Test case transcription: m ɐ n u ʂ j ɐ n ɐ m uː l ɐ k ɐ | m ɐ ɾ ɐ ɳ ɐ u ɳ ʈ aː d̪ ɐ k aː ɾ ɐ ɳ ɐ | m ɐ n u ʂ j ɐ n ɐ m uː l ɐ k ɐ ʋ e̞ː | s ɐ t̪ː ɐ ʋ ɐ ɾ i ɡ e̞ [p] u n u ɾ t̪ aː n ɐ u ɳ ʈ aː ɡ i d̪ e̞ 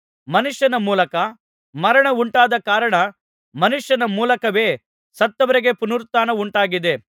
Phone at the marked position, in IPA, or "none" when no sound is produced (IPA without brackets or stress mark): p